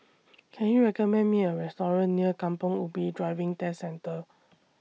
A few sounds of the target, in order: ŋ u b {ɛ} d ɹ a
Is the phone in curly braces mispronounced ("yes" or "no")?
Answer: yes